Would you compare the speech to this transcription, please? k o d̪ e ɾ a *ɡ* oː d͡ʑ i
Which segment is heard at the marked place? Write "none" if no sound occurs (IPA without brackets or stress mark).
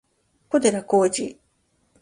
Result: k